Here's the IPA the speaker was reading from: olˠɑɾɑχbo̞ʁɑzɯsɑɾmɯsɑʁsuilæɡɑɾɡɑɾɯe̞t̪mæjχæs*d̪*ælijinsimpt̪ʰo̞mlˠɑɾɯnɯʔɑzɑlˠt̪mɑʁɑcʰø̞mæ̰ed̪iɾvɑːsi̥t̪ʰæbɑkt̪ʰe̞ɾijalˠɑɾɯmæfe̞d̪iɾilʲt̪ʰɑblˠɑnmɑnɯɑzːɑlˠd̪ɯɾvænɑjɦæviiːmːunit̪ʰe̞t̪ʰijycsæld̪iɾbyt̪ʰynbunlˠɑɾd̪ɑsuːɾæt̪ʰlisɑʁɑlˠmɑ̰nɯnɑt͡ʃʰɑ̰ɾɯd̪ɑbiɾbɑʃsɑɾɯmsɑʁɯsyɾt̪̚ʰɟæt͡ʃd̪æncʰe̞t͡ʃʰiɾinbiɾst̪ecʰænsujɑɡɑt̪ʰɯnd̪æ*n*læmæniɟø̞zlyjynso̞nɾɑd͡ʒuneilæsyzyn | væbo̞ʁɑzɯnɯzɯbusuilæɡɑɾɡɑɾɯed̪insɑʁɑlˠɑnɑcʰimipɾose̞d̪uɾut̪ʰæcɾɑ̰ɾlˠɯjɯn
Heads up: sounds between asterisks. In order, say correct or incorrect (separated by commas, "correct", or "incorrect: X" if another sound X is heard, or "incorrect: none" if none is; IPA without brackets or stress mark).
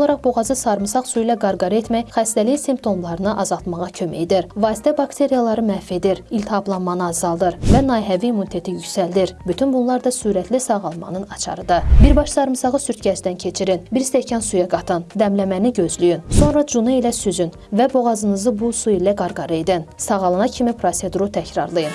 incorrect: t̪, incorrect: m